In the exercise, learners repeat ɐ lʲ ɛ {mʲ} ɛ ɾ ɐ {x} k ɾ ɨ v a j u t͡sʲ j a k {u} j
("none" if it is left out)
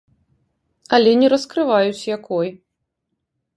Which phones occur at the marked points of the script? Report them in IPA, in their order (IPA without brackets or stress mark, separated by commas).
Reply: nʲ, s, ɔ